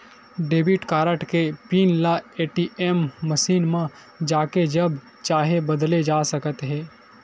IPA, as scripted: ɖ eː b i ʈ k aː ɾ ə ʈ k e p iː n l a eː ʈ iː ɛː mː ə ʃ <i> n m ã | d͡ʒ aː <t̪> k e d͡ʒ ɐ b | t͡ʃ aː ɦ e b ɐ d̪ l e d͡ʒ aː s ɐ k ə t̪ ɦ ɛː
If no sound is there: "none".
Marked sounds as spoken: iː, none

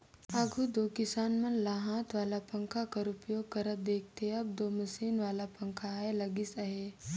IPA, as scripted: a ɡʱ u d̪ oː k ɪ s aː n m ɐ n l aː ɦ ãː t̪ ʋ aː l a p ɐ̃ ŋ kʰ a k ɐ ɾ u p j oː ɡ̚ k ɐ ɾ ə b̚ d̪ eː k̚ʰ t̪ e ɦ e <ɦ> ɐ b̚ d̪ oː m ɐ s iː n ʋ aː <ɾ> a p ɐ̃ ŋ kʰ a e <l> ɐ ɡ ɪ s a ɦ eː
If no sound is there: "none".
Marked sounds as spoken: none, l, l

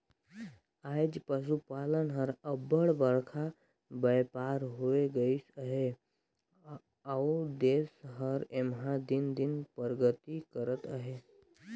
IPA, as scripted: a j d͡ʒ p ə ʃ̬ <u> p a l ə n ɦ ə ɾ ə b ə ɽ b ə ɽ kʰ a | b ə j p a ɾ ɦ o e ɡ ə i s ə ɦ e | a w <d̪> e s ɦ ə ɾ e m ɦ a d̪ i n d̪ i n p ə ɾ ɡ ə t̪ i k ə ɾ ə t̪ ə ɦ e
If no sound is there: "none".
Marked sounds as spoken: u, d̪

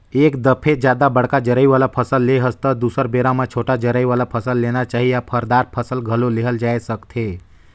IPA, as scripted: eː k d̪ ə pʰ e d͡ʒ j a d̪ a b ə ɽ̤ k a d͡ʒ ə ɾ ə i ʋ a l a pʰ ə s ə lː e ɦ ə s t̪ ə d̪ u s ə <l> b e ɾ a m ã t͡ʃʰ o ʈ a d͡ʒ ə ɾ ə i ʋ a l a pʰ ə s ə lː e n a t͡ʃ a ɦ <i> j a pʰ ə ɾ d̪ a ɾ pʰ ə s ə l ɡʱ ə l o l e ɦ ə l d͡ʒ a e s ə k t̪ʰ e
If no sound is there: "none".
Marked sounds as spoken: ɾ, i

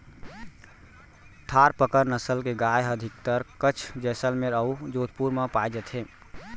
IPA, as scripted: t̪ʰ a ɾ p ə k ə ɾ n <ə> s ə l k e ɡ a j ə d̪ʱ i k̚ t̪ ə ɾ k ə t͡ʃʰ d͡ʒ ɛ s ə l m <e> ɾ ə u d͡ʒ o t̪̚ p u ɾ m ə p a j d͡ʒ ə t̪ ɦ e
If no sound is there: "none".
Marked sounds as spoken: ə, e

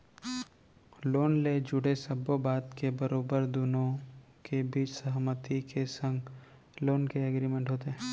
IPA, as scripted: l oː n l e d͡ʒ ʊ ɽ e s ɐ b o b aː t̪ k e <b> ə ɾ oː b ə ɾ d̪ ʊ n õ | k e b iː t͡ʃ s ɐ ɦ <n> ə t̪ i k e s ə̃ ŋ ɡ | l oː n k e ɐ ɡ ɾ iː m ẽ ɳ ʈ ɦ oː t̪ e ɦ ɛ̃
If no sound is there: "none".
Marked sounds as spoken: b, m

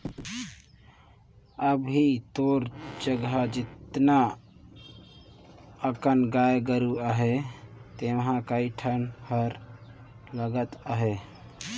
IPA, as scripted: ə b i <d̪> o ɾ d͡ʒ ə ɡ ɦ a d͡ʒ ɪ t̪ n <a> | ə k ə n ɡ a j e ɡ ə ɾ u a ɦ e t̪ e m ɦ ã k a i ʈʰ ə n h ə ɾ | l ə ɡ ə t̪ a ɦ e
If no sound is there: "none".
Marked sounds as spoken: t̪, a

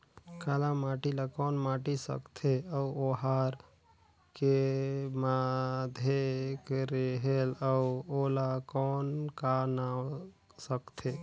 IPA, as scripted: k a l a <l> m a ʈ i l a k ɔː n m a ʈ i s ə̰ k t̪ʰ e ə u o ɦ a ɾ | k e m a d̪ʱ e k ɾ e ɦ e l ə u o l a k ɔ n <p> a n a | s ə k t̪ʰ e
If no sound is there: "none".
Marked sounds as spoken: none, k

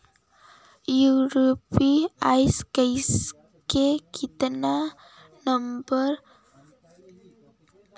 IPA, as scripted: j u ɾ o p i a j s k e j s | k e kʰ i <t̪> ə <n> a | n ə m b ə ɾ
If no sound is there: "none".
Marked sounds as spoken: t̪, n

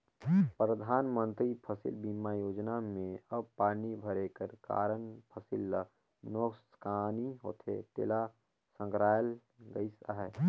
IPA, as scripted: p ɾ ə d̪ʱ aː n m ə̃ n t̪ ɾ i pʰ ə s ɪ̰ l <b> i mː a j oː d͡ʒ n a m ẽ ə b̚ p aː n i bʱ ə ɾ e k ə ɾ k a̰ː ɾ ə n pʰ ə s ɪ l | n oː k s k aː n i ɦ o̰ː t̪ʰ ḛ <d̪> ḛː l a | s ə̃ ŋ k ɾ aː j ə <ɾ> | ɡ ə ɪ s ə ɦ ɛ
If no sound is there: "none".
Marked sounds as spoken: b, t̪, l

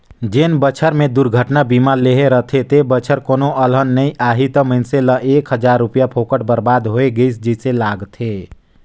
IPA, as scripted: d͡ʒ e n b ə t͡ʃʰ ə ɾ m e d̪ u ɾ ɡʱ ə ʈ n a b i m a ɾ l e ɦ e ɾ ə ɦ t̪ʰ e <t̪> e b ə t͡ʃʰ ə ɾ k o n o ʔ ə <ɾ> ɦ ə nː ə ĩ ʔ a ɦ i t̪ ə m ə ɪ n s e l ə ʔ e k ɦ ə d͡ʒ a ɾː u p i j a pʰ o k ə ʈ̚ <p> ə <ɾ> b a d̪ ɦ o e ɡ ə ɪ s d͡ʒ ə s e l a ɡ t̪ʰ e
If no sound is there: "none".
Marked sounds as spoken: t̪, l, b, ɾ

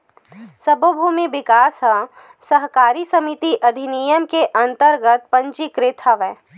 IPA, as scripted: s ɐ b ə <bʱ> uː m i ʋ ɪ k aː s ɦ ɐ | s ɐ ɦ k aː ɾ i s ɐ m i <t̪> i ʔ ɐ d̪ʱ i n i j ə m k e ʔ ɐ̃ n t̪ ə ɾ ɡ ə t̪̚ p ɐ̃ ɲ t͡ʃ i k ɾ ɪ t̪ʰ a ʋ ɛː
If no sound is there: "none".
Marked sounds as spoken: bʱ, t̪

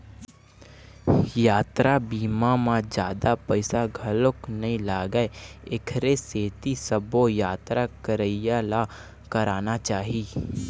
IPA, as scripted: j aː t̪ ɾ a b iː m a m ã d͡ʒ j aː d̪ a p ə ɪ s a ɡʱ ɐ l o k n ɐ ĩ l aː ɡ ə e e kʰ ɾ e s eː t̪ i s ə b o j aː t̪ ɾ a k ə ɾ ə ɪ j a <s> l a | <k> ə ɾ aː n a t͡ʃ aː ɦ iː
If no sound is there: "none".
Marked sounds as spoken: none, k

